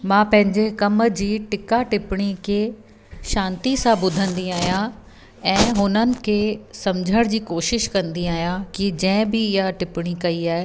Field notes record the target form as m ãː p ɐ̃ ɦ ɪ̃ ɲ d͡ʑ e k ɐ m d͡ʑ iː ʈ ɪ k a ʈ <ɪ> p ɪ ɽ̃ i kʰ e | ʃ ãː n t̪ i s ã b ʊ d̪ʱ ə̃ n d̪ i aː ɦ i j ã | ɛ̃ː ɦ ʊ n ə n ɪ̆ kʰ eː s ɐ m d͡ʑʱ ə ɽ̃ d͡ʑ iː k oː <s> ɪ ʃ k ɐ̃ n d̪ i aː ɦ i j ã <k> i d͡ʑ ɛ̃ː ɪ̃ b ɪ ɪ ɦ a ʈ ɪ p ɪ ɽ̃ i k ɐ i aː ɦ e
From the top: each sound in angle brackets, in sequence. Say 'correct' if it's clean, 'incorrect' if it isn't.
correct, incorrect, correct

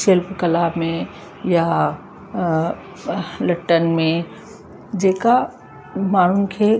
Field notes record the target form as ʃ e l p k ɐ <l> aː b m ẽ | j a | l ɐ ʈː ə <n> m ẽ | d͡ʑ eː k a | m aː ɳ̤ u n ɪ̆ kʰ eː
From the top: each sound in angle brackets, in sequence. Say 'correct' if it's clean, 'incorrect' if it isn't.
correct, correct

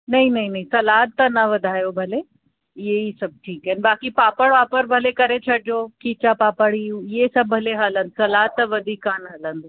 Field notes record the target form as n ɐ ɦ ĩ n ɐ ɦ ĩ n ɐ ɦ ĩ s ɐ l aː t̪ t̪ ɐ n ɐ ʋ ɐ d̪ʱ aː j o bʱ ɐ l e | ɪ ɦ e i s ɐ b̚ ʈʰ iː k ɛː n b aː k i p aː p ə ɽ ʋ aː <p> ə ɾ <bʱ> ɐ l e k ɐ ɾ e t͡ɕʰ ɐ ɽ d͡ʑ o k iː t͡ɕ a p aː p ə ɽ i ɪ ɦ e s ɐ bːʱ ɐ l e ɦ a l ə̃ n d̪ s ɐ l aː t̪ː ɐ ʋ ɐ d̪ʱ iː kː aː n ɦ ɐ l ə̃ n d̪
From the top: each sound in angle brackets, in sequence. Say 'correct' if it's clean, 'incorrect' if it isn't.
correct, correct

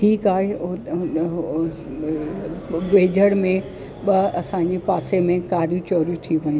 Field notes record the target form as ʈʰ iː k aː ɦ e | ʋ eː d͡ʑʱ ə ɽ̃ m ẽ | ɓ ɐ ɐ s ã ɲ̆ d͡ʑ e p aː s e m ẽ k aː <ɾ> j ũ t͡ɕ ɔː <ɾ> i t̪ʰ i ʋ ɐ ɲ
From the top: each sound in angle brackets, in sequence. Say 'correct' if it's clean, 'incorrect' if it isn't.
correct, correct

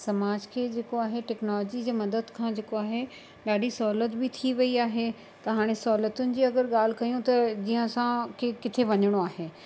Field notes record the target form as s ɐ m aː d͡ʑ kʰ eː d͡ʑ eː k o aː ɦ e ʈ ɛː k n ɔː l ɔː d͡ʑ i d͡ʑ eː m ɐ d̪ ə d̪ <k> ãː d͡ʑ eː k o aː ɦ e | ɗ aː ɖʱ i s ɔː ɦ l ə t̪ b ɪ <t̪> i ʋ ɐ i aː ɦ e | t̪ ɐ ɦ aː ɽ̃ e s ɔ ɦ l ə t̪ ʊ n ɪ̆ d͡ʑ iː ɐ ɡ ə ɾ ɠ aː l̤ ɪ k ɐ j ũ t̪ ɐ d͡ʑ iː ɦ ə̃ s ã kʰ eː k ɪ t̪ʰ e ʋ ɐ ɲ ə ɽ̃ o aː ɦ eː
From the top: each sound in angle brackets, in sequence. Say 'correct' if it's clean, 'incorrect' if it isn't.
incorrect, incorrect

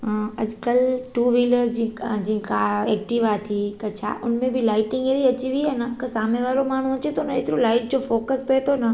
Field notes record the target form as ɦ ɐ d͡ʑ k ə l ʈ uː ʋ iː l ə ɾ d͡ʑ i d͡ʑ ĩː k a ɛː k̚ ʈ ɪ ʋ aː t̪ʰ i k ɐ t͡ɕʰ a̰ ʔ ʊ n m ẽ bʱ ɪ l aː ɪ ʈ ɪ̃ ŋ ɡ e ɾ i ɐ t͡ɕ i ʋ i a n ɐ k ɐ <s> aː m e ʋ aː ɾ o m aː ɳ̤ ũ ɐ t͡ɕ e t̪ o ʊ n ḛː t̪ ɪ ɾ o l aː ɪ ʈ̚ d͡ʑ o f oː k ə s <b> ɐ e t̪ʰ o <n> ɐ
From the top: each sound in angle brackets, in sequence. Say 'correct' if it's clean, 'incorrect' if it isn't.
correct, incorrect, correct

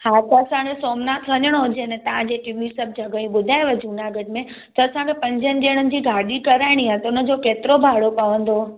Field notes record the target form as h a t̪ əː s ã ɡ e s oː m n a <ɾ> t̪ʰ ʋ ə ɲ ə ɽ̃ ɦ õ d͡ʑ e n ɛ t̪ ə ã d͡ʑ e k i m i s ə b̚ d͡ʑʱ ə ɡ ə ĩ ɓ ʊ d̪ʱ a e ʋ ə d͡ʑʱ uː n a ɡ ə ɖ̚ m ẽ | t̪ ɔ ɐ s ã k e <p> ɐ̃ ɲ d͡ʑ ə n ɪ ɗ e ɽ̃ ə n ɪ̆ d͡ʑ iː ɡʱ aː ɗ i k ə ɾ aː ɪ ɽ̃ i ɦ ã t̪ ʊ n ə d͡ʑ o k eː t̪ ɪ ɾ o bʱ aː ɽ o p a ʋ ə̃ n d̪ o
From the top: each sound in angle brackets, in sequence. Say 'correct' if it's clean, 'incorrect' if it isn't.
incorrect, correct

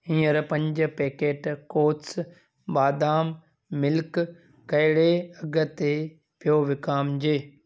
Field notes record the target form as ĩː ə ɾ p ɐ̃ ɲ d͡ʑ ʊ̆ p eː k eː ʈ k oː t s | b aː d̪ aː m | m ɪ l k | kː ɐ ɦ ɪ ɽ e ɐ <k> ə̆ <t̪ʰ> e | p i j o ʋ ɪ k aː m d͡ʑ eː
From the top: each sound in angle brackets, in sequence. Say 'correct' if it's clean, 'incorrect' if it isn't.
incorrect, incorrect

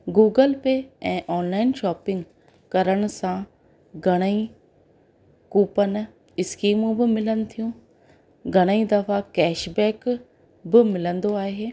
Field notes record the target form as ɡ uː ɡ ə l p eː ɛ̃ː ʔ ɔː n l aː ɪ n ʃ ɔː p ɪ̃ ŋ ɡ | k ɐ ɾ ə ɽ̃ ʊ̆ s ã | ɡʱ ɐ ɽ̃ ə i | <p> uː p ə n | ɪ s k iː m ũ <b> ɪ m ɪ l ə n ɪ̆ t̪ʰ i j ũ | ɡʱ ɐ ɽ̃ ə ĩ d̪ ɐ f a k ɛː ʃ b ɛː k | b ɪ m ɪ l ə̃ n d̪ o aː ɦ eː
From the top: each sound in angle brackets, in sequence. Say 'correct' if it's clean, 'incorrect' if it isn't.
incorrect, correct

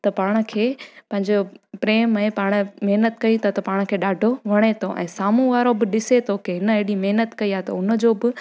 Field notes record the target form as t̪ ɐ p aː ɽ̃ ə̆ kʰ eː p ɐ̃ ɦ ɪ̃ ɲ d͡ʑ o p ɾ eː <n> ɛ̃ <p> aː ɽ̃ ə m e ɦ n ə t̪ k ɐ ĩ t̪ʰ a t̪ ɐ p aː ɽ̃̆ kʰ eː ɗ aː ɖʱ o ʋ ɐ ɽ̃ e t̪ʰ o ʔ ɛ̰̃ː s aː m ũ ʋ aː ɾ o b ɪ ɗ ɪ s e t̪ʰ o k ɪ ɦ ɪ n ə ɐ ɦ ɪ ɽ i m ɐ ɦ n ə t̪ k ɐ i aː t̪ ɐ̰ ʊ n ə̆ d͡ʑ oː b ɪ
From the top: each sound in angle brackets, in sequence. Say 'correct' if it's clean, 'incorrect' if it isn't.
incorrect, correct

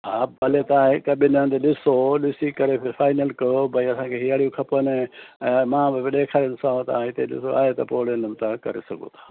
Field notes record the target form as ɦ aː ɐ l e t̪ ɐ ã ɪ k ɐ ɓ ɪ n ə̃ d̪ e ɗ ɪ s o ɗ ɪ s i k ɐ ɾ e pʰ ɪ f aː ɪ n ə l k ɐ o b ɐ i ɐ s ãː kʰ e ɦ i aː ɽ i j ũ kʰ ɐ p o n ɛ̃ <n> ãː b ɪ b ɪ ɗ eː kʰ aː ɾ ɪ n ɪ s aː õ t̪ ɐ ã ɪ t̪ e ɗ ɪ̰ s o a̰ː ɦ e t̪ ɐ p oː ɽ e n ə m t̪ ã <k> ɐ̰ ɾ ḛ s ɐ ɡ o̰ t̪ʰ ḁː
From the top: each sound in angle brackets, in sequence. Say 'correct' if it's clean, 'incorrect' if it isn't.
incorrect, correct

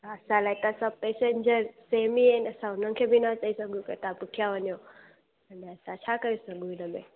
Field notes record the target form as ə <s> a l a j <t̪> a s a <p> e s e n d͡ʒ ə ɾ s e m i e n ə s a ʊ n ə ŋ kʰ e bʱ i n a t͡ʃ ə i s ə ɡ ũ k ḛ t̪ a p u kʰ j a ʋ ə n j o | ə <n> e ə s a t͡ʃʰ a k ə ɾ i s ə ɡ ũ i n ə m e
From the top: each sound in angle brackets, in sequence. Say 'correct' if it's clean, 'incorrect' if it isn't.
correct, correct, correct, correct

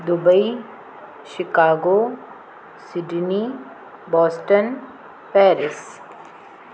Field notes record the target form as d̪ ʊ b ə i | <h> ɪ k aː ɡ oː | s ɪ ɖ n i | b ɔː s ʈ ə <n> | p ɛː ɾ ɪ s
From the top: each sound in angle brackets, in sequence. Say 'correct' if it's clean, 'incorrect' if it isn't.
incorrect, correct

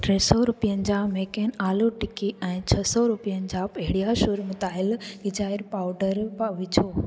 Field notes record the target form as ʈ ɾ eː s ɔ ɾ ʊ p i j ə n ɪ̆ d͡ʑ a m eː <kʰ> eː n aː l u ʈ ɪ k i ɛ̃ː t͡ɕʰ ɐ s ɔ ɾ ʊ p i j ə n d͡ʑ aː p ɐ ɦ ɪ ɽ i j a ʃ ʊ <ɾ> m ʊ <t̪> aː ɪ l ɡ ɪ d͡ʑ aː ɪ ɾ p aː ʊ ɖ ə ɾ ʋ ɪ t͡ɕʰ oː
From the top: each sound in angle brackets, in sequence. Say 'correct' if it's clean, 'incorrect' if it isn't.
incorrect, correct, correct

